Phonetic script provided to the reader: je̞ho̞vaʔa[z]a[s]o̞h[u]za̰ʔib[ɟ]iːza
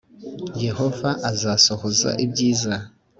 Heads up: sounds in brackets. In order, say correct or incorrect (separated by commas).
correct, correct, incorrect, correct